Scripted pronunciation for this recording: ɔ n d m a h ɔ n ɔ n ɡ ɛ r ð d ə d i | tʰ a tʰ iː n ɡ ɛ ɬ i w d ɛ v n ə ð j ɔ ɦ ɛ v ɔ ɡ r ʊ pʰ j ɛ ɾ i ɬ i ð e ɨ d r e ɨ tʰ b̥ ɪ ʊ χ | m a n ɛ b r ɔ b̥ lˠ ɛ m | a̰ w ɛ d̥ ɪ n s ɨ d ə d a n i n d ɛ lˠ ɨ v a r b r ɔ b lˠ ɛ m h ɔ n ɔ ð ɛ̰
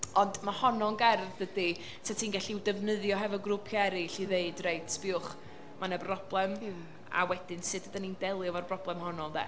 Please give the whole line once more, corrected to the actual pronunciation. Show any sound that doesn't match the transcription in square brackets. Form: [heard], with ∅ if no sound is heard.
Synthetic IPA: ɔ n d m a h ɔ n ɔ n ɡ ɛ r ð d ə d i | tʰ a tʰ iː n ɡ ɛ ɬ i w d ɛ v n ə ð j ɔ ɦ ɛ v ɔ ɡ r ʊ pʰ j ɛ ɾ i ɬ i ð e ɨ d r e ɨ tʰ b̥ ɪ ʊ χ | m a n ɛ b r ɔ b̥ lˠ ɛ m | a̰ w ɛ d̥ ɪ n s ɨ d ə d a n i n d ɛ lˠ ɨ v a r b r ɔ b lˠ ɛ m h ɔ n ɔ ð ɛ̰